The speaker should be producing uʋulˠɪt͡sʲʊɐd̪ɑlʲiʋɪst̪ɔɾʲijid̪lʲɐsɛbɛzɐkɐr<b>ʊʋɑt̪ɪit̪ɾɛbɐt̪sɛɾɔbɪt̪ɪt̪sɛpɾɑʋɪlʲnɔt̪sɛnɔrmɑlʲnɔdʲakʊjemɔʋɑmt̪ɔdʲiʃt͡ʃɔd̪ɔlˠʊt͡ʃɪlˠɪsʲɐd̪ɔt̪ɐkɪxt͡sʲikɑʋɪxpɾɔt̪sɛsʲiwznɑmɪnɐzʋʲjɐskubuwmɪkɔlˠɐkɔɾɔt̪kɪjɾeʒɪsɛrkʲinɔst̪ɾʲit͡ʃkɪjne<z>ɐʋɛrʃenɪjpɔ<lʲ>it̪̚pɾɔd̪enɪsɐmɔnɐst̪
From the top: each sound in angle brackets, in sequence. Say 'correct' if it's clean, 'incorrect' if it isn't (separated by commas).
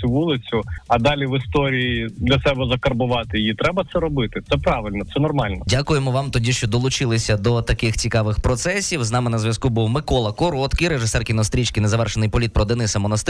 correct, correct, correct